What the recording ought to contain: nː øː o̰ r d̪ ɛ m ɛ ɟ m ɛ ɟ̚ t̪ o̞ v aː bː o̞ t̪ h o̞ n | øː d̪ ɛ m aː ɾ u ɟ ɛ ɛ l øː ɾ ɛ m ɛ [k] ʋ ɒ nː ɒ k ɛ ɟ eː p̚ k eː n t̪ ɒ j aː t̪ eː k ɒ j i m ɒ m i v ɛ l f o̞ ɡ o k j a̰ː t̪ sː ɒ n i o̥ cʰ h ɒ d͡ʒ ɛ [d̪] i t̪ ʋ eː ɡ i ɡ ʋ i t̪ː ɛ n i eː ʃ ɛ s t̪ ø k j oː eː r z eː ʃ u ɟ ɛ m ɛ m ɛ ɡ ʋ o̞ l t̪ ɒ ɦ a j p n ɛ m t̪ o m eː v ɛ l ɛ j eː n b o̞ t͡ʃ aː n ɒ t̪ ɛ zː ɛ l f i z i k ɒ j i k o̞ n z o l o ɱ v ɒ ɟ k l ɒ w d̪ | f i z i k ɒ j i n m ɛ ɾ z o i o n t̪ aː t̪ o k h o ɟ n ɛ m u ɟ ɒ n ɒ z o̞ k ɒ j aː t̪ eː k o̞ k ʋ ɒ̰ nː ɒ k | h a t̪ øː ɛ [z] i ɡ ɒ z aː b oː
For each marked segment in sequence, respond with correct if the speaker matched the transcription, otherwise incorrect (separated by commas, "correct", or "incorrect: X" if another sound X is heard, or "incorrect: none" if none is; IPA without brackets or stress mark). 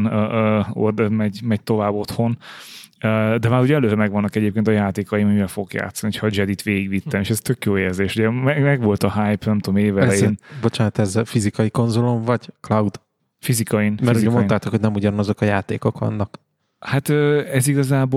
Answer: incorrect: ɡ, correct, correct